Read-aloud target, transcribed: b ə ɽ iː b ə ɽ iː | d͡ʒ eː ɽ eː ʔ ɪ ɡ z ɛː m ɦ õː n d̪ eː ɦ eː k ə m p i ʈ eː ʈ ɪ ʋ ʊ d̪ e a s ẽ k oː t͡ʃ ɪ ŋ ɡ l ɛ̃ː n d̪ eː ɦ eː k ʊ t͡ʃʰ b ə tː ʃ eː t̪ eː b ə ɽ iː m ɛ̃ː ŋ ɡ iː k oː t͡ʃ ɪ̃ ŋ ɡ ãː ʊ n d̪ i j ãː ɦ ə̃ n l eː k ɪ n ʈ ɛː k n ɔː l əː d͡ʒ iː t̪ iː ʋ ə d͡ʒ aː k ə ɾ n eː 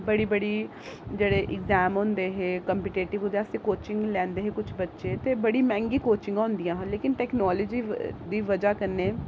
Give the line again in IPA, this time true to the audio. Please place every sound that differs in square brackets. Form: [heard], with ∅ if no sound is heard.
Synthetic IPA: b ə ɽ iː b ə ɽ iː | d͡ʒ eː ɽ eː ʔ ɪ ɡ z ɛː m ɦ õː n d̪ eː ɦ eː k ə m p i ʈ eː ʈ ɪ ʋ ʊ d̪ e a s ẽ k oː t͡ʃ ɪ ŋ ɡ l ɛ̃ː n d̪ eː ɦ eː k ʊ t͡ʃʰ b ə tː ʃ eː t̪ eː b ə ɽ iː m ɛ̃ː ŋ ɡ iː k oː t͡ʃ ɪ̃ ŋ ɡ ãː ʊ n d̪ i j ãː ɦ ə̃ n l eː k ɪ n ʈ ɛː k n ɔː l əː d͡ʒ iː [d̪] iː ʋ ə d͡ʒ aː k ə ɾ n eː